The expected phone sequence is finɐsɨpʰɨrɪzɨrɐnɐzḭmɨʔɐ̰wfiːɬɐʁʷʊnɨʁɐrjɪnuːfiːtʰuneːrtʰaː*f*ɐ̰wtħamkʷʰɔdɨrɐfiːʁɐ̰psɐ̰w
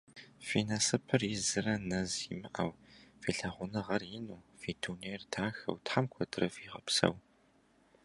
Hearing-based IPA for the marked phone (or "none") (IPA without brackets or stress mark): x